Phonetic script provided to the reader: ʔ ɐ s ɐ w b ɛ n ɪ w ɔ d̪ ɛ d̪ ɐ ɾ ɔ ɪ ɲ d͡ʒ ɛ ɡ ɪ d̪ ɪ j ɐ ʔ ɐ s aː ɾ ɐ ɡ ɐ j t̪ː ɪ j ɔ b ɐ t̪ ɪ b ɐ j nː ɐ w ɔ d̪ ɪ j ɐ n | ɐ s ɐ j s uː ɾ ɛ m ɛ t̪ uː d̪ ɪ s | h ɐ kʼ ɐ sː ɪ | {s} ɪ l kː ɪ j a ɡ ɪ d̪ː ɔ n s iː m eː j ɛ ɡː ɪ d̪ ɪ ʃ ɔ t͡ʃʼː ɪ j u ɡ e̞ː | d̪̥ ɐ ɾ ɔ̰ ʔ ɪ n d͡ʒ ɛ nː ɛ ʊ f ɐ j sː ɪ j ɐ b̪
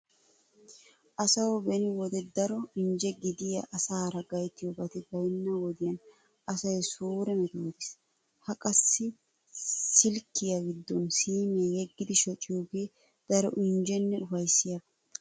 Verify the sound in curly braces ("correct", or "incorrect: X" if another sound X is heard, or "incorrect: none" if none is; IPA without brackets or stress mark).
correct